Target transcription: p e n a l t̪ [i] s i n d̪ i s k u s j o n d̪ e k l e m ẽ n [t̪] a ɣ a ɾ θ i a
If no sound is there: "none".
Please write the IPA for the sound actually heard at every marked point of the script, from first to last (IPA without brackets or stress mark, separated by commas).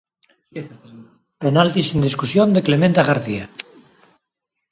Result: i, t̪